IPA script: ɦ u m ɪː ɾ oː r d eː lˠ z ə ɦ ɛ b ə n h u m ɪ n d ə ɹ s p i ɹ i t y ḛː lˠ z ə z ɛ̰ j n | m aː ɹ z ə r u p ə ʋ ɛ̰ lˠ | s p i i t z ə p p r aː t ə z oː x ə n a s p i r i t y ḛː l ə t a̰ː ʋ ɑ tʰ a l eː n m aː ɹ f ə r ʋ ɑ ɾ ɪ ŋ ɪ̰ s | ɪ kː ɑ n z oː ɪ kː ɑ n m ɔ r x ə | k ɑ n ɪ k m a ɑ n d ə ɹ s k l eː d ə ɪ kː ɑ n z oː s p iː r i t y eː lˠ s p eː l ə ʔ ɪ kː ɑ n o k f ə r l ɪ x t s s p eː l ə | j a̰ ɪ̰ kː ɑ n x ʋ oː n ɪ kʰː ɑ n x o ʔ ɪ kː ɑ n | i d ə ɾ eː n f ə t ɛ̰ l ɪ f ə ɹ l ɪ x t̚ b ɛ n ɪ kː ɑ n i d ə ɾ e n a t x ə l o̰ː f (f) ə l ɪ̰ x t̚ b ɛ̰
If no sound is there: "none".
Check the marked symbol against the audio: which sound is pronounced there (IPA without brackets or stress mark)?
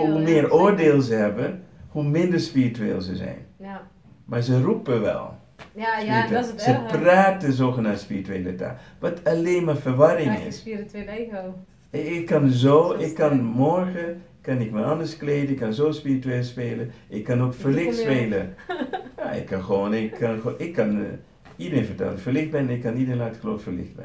f